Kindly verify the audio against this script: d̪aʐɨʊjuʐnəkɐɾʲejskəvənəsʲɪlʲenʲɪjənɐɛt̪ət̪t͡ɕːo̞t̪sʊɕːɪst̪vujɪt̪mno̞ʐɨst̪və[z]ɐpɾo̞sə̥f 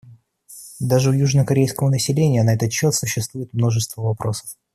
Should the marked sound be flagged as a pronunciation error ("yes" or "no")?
yes